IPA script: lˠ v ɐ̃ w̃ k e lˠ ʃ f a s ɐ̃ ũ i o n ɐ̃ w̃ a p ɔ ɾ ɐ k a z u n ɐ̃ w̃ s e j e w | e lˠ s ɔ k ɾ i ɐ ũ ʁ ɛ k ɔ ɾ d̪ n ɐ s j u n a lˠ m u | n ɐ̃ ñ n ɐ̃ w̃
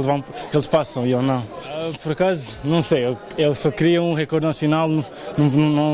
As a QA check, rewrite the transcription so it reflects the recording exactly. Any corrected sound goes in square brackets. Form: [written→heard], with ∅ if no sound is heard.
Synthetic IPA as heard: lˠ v ɐ̃ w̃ k e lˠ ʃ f a s ɐ̃ [ũ→w̃] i o n ɐ̃ w̃ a p ɔ ɾ ɐ k a z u n ɐ̃ w̃ s e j e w | e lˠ s ɔ k ɾ i ɐ ũ ʁ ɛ k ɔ ɾ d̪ n ɐ s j u n a lˠ [m→n] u | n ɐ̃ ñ n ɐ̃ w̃